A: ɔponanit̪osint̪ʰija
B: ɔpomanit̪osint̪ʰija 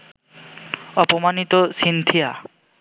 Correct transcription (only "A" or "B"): B